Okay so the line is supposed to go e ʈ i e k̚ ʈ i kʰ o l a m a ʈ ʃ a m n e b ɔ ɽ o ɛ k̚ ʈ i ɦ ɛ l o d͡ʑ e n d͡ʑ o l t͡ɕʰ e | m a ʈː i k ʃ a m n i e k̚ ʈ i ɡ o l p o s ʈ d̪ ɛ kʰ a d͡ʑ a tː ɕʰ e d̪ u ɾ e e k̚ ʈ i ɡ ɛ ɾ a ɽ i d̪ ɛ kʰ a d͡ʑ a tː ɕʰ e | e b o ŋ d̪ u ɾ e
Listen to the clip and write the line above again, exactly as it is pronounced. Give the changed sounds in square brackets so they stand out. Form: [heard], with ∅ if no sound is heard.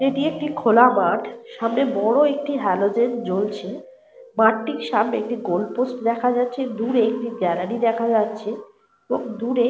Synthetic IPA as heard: e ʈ i e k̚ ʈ i kʰ o l a m a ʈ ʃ a m n e b ɔ ɽ o [e] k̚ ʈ i ɦ ɛ l o d͡ʑ e n d͡ʑ o l t͡ɕʰ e | m a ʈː i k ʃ a m n [e] e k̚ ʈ i ɡ o l p o s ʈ d̪ ɛ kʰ a d͡ʑ a tː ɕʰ e d̪ u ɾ e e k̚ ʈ i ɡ ɛ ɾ a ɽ i d̪ ɛ kʰ a d͡ʑ a tː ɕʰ e | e b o ŋ d̪ u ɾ e

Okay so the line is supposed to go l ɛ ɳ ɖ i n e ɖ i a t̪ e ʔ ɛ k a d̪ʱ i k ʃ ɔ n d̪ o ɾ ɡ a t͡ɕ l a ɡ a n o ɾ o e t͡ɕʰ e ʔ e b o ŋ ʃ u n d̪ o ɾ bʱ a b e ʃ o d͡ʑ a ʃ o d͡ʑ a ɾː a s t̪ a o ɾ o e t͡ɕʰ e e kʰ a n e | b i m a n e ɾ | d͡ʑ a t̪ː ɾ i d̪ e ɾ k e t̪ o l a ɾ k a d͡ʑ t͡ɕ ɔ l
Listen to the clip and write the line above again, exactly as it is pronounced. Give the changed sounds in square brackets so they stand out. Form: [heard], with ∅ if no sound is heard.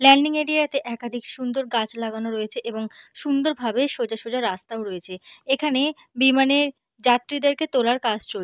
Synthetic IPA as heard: l ɛ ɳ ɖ i [ŋ] e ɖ i a t̪ e ʔ ɛ k a d̪ʱ i k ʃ [u] n d̪ o ɾ ɡ a t͡ɕ l a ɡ a n o ɾ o e t͡ɕʰ e ʔ e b o ŋ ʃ u n d̪ o ɾ bʱ a b e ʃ o d͡ʑ a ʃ o d͡ʑ a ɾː a s t̪ a o ɾ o e t͡ɕʰ e e kʰ a n e | b i m a n e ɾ | d͡ʑ a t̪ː ɾ i d̪ e ɾ k e t̪ o l a ɾ k a d͡ʑ t͡ɕ [o] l

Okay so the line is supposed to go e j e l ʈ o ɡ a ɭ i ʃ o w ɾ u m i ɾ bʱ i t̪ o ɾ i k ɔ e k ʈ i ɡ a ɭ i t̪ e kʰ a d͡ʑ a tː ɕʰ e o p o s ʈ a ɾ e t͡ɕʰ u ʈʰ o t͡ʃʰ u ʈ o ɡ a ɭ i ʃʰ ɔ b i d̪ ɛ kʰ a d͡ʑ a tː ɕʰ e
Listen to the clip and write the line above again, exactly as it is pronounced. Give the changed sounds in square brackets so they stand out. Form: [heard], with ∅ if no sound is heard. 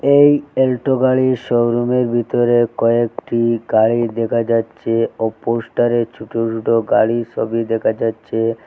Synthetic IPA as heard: e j e l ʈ o ɡ a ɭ i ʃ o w ɾ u m [e] ɾ bʱ i t̪ o ɾ [e] k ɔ e k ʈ i ɡ a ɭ i [d̪] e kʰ a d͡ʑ a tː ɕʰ e o p o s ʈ a ɾ e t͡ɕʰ u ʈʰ o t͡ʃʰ u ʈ o ɡ a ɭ i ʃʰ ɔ b i d̪ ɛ kʰ a d͡ʑ a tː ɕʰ e

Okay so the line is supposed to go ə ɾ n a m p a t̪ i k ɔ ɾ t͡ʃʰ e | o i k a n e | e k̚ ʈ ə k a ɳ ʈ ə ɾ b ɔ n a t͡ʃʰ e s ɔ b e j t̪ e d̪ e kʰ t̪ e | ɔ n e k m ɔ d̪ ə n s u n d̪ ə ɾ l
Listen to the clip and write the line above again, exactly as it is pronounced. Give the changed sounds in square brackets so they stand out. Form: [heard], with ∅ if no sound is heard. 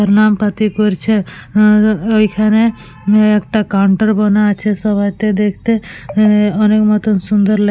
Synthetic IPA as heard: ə ɾ n a m p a t̪ i k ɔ ɾ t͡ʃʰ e | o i [kʰ] a n e | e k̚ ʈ [a] k a ɳ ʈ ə ɾ b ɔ n a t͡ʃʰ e s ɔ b [a] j t̪ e d̪ e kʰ t̪ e | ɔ n e k m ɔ [t̪] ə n s u n d̪ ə ɾ l

